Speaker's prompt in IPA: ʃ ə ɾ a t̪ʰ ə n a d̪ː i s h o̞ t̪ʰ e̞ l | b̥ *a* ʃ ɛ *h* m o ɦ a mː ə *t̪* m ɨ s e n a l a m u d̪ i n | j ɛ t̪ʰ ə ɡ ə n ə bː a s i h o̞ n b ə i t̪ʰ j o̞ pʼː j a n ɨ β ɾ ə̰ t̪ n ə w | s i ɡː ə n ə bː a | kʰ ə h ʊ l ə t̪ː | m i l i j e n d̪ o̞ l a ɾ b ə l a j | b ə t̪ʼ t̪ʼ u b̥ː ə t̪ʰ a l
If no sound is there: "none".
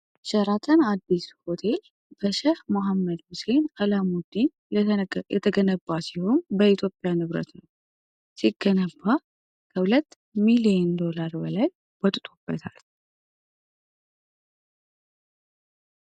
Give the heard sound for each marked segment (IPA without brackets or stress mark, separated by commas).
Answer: ə, h, d̪